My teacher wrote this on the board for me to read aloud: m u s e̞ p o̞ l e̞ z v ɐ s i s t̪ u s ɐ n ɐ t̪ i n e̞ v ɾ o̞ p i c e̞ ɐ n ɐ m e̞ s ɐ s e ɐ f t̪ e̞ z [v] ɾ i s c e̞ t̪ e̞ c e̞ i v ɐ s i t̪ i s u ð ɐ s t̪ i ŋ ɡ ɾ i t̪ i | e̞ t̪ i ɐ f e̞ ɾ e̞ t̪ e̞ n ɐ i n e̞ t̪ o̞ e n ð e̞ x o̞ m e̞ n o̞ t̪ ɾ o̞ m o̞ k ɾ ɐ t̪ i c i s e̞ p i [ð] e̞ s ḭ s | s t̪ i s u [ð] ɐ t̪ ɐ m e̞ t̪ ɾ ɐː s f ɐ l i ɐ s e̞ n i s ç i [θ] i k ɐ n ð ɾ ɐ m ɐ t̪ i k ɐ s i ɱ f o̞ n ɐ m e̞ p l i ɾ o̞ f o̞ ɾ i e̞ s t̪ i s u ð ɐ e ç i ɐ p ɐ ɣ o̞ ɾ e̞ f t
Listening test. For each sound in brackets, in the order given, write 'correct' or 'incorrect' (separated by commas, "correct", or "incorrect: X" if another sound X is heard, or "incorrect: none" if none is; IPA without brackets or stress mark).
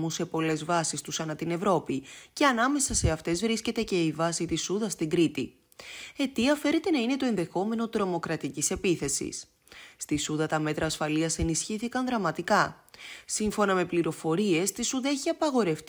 correct, incorrect: θ, correct, correct